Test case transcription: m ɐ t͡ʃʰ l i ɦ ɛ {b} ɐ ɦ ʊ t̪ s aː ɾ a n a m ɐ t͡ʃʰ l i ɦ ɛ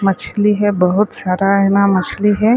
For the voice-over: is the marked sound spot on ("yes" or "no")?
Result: yes